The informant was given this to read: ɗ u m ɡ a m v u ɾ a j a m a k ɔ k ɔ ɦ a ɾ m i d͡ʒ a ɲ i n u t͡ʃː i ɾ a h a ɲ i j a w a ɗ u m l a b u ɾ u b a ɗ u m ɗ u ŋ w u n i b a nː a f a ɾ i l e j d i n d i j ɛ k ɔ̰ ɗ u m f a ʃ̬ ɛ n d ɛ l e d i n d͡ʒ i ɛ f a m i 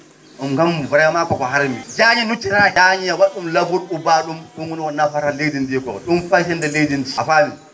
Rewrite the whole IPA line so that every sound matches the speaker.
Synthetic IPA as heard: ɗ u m ɡ a m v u ɾ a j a m a k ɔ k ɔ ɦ a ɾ m i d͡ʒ a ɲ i n u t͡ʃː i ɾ a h a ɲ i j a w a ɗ u m l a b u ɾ u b a ɗ u m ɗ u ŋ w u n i w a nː a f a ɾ a l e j d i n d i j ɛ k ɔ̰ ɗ u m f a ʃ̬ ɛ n d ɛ l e d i n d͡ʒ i a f a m i